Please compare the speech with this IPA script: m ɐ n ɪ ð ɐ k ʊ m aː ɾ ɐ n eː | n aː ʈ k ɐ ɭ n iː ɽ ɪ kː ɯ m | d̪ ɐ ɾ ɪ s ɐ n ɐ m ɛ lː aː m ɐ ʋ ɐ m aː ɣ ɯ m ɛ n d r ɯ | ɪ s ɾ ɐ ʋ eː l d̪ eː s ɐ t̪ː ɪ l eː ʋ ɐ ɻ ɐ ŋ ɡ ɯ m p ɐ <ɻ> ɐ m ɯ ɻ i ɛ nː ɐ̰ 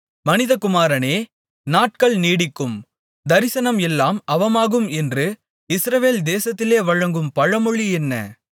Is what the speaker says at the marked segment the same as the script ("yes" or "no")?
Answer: yes